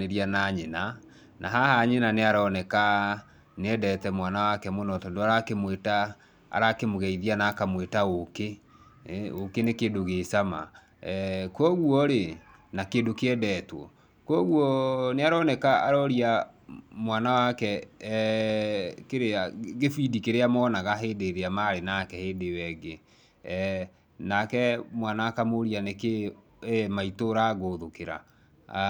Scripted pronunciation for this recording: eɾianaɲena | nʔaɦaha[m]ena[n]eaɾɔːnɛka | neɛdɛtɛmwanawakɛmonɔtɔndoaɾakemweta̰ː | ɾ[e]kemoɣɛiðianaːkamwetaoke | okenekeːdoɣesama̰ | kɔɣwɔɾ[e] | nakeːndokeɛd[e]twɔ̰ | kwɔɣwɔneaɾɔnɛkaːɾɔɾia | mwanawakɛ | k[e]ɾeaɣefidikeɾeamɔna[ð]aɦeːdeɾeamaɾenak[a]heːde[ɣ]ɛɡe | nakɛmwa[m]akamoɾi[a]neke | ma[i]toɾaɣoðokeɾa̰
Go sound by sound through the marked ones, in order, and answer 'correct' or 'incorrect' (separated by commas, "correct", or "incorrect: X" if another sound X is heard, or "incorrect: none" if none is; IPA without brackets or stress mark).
incorrect: ɲ, correct, incorrect: a, correct, incorrect: ɛ, correct, incorrect: ɣ, incorrect: ɛ, incorrect: w, incorrect: n, correct, correct